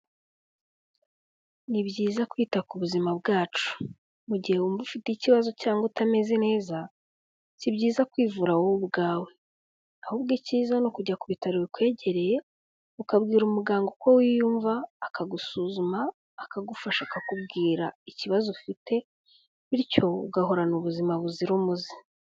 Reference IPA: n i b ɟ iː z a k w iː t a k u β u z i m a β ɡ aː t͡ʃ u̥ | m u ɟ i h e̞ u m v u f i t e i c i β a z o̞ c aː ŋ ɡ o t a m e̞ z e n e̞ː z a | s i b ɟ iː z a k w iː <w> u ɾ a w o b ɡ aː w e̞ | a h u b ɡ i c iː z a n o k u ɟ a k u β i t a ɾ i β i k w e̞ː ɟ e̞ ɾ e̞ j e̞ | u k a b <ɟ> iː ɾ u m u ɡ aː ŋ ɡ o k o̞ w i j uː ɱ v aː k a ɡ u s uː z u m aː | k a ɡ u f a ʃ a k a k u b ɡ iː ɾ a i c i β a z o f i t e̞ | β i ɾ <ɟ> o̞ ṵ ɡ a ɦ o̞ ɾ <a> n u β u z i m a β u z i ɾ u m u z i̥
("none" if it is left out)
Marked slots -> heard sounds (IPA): v, ɡ, c, a

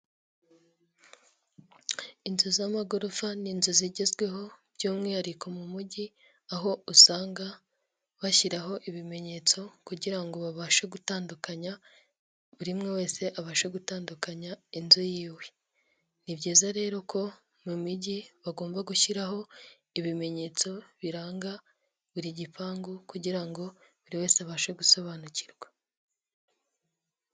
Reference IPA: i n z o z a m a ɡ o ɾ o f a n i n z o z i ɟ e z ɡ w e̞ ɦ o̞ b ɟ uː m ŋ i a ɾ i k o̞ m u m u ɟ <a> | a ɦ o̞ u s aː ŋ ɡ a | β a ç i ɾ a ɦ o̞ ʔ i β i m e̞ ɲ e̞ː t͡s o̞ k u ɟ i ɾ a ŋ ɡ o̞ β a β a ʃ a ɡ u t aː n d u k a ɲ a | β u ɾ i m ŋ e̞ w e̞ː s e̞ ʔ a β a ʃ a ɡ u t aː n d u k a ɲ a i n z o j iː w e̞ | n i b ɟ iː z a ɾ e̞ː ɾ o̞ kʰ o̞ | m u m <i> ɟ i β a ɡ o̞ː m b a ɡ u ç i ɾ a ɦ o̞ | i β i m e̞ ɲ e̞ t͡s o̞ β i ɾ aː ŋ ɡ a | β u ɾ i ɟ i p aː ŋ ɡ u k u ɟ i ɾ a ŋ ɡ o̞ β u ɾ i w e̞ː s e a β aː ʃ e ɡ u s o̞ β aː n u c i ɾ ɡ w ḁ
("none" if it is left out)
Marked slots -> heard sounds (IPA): i, i

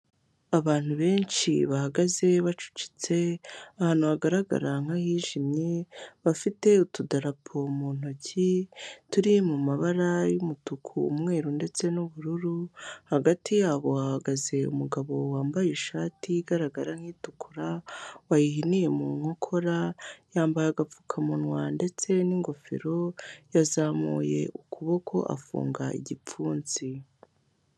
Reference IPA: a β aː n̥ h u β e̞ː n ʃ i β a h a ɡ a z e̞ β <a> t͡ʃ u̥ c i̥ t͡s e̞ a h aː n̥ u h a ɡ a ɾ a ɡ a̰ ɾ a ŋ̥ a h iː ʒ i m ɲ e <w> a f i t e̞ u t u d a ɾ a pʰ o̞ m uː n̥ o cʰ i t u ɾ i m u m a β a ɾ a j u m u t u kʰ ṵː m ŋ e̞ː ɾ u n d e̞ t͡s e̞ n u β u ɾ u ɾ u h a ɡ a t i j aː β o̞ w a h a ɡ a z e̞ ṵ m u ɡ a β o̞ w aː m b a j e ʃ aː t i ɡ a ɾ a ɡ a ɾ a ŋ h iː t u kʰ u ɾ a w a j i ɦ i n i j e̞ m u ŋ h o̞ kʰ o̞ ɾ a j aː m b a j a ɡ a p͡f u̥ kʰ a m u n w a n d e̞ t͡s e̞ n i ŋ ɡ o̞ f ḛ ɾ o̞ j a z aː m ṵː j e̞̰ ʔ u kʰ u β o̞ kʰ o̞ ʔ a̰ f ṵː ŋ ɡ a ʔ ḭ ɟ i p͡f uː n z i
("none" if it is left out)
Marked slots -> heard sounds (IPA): a, β

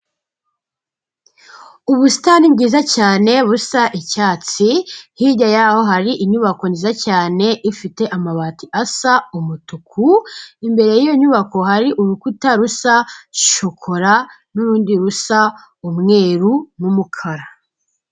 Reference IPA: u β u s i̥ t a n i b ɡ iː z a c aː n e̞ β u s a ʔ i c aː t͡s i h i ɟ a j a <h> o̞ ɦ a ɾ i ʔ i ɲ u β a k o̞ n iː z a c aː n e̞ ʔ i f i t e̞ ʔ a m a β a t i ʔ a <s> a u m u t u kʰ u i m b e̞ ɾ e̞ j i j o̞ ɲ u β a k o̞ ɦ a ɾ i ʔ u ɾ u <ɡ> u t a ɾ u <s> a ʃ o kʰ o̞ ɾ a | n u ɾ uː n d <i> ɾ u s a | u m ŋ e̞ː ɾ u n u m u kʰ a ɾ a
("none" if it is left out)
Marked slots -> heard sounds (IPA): h, s, k, s, i

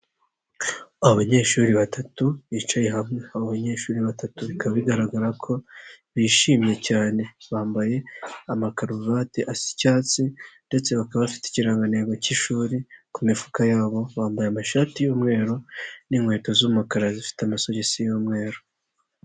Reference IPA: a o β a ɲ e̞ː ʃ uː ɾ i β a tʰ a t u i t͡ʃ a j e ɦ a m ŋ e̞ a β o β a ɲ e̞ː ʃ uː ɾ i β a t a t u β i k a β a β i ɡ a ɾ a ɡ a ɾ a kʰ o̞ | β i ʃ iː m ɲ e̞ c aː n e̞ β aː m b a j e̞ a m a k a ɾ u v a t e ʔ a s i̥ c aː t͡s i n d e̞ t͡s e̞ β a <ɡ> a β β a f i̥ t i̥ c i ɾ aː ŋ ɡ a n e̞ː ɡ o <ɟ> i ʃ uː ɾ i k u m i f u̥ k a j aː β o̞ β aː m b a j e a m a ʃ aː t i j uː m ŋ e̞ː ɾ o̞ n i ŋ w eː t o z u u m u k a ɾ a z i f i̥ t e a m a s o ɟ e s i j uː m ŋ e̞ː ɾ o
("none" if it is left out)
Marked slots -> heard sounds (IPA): k, c

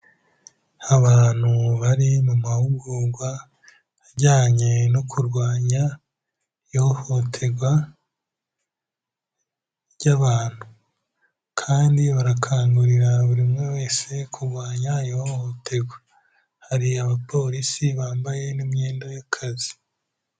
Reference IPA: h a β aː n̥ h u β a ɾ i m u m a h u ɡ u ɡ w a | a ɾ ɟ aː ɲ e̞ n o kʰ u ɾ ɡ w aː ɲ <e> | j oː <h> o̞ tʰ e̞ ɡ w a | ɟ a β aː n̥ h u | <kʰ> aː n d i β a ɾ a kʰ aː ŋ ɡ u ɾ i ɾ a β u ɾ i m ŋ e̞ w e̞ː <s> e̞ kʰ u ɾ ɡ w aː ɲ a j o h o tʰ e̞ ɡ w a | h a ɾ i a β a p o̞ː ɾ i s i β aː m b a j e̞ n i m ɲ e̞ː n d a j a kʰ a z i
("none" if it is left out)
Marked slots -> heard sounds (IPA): a, h, kʰ, s

